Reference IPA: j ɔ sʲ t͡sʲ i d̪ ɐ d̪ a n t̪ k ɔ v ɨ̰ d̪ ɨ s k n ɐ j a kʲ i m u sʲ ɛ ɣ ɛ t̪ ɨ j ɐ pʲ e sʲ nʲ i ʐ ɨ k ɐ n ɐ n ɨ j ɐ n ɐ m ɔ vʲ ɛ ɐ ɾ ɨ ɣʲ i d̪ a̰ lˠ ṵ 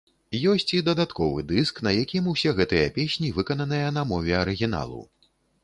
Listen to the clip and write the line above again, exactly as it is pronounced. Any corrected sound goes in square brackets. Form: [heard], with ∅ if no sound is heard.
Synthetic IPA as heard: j ɔ sʲ t͡sʲ i d̪ ɐ d̪ a [∅] t̪ k ɔ v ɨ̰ d̪ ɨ s k n ɐ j a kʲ i m u sʲ ɛ ɣ ɛ t̪ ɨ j ɐ pʲ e sʲ nʲ i [v] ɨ k ɐ n ɐ n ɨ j ɐ n ɐ m ɔ vʲ ɛ ɐ ɾ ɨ ɣʲ i [n̪] a̰ lˠ ṵ